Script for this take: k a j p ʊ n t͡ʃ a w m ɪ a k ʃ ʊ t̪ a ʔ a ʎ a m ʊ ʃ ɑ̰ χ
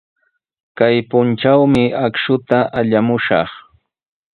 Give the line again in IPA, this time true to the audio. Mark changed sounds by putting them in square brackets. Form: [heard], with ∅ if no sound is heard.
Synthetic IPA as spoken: k a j p ʊ n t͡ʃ a w m ɪ a k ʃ ʊ t̪ a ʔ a ʎ a m ʊ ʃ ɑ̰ χ